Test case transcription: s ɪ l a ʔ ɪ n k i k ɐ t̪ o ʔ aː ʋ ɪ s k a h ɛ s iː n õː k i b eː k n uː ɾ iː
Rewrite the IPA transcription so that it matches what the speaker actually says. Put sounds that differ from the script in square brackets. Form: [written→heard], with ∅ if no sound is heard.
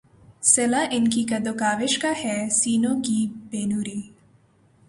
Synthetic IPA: s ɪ l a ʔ ɪ n k i k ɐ [t̪→d̪] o [ʔ→k] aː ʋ ɪ [s→ʃ] k a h ɛ s iː n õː k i b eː [k→∅] n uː ɾ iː